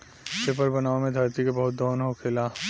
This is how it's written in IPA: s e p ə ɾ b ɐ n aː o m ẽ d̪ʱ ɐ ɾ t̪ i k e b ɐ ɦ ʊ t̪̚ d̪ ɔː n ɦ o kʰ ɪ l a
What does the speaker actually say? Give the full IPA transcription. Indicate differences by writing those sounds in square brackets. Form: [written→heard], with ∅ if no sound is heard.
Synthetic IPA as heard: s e p ə ɾ b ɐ n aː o m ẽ d̪ʱ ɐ ɾ t̪ i k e b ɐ ɦ ʊ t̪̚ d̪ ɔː n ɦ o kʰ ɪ l a